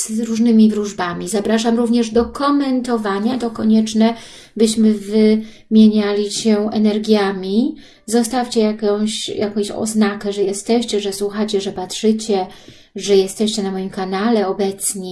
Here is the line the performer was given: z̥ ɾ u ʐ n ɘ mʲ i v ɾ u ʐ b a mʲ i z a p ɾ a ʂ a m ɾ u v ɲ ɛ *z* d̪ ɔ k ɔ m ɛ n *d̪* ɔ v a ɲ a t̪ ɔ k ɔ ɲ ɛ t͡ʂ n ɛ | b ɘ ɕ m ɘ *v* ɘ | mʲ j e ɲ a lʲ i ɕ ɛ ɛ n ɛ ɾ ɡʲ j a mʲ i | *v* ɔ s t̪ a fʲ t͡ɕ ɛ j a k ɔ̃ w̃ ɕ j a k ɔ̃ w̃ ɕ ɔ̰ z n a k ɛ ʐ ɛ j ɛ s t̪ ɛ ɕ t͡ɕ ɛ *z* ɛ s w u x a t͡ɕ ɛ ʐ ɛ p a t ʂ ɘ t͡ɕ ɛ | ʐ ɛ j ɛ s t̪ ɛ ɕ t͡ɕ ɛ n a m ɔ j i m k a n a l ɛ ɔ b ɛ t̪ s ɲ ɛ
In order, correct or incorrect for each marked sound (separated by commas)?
incorrect, incorrect, correct, incorrect, incorrect